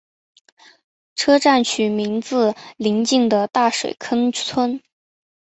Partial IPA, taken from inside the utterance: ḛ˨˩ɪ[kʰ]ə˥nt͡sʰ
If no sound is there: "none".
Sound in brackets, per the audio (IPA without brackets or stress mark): kʰ